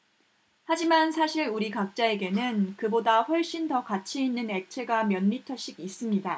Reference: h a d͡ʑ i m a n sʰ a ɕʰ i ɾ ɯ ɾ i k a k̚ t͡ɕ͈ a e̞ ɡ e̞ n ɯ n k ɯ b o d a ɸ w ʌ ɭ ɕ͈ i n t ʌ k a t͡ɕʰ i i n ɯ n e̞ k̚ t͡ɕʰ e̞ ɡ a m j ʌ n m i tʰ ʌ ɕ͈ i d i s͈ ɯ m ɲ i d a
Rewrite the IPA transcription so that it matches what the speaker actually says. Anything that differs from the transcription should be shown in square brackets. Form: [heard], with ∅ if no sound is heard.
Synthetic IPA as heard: h a d͡ʑ i m a n sʰ a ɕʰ i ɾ [u] ɾ i k a k̚ t͡ɕ͈ a e̞ ɡ e̞ n ɯ n k ɯ b o d a ɸ w ʌ ɭ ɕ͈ i n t ʌ k a t͡ɕʰ i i [nː] ɯ n e̞ k̚ t͡ɕʰ e̞ ɡ a m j ʌ n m i tʰ ʌ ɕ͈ i [ɡ] i s͈ ɯ m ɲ i d a